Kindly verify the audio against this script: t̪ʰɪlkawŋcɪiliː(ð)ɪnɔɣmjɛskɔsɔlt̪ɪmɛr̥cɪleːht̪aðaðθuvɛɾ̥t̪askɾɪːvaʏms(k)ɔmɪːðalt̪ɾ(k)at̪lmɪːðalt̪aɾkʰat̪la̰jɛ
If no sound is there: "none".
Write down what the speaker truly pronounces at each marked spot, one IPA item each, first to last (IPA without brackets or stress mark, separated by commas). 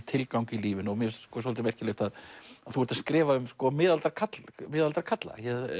v, k, kʰ